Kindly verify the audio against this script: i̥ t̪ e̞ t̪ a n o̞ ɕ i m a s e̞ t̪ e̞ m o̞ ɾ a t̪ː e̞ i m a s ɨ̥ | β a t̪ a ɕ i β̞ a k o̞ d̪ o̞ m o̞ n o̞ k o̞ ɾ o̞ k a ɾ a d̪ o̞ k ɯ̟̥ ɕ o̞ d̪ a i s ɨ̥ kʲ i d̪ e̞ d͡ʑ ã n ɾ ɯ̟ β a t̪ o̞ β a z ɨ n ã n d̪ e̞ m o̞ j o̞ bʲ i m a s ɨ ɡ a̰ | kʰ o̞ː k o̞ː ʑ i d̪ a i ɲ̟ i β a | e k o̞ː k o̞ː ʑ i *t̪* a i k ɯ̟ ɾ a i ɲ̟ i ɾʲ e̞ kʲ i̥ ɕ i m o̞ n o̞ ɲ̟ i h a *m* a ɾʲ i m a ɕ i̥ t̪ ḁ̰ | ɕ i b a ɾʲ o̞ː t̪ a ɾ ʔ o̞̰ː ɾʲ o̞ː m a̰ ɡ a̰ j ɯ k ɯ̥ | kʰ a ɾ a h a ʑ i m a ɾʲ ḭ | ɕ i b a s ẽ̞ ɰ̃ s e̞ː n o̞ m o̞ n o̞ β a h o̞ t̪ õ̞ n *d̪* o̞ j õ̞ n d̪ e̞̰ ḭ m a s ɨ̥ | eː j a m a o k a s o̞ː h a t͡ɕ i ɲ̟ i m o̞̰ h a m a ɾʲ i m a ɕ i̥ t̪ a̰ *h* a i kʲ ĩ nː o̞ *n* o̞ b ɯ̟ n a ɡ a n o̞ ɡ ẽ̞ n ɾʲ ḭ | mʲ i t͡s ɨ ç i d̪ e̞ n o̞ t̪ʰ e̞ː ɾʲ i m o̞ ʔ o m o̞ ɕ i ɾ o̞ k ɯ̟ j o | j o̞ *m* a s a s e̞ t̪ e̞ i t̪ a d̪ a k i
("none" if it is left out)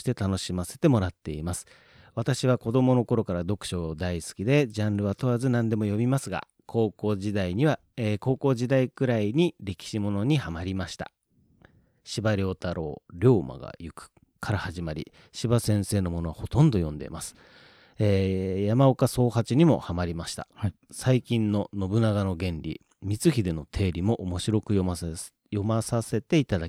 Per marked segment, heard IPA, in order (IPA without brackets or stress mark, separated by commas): d̪, m, d̪, s, n, m